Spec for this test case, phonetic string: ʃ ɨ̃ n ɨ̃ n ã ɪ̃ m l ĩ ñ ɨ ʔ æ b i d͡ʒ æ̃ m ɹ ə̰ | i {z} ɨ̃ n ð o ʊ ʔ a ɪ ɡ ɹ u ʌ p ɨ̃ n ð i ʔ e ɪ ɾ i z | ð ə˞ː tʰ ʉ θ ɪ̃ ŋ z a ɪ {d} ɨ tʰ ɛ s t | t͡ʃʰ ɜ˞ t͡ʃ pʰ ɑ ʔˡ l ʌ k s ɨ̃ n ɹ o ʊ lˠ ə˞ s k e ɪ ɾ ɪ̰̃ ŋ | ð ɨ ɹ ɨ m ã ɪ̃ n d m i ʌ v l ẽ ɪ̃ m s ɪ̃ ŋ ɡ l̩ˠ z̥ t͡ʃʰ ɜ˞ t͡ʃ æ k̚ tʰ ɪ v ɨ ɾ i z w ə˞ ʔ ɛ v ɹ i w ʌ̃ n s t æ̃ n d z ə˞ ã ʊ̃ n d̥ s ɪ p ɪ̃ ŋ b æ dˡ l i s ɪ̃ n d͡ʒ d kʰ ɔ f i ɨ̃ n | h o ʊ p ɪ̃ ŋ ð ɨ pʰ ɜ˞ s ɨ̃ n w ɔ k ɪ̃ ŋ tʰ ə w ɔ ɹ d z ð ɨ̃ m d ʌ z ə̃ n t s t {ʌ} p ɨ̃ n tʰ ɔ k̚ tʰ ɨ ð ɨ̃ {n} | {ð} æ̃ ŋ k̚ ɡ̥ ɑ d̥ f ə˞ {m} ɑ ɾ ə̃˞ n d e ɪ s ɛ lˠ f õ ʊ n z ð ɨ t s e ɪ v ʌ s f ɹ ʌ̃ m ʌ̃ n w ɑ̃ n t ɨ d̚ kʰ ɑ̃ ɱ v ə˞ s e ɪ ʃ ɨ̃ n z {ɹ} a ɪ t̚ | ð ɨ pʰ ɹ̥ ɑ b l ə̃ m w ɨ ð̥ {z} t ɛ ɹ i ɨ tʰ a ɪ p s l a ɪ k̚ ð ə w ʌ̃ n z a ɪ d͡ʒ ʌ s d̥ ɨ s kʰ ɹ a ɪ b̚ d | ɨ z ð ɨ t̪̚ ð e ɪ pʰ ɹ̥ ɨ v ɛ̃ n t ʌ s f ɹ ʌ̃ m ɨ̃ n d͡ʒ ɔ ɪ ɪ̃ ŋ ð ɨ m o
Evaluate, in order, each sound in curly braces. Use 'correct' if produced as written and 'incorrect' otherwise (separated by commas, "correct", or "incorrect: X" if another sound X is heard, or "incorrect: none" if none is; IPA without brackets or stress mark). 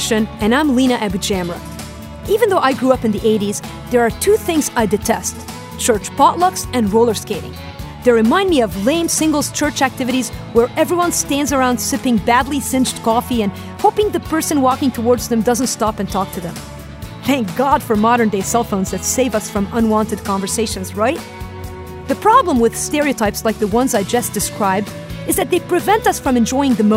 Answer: incorrect: v, correct, incorrect: ɑ, incorrect: m, incorrect: θ, correct, correct, incorrect: s